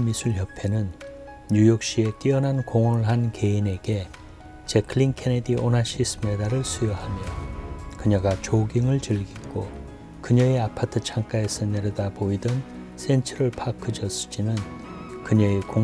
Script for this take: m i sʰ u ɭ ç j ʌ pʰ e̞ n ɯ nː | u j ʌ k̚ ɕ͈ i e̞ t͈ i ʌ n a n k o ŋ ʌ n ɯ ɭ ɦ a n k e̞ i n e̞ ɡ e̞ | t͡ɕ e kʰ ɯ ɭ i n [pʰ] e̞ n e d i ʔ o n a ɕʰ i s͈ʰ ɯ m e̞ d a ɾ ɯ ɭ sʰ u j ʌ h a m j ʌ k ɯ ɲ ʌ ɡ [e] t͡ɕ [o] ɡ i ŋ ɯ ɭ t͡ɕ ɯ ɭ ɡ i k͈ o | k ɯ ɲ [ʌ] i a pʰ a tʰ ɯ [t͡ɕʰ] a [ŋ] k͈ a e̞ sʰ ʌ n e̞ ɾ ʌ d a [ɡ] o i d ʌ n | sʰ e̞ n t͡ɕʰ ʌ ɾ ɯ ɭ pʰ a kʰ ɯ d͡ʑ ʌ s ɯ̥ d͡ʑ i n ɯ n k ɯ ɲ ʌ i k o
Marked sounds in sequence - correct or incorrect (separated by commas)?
incorrect, incorrect, correct, correct, correct, correct, incorrect